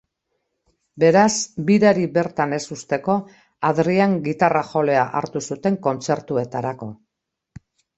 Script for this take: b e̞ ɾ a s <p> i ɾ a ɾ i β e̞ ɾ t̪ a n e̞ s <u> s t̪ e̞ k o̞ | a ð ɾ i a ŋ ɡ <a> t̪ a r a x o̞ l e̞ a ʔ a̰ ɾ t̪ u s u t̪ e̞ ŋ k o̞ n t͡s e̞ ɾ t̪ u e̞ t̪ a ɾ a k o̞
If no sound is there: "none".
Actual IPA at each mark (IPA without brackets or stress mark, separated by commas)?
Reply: b, u, i